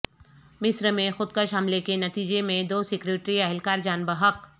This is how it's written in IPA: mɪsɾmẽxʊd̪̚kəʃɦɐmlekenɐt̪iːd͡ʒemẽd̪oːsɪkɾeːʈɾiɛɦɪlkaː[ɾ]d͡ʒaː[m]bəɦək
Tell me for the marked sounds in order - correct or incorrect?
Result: correct, incorrect

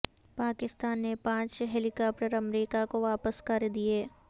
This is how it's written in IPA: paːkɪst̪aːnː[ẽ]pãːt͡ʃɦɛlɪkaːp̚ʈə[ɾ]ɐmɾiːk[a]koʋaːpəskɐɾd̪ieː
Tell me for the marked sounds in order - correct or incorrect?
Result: incorrect, correct, correct

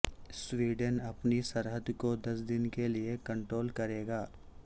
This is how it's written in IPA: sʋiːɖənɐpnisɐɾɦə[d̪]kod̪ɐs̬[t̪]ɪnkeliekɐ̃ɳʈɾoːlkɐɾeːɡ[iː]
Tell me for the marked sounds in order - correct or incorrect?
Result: correct, incorrect, incorrect

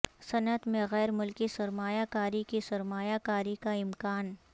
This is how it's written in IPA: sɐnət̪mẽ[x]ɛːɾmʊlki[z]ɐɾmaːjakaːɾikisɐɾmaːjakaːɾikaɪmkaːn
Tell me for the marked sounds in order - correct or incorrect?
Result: incorrect, incorrect

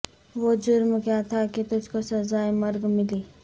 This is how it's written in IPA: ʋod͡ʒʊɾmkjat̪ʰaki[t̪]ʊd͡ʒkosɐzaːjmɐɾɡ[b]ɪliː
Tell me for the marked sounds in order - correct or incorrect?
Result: correct, incorrect

